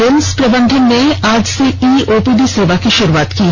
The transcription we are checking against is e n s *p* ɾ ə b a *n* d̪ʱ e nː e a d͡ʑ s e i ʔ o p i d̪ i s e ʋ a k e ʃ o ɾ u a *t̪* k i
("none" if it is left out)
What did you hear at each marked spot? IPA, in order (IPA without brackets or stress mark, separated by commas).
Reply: p, n, t̪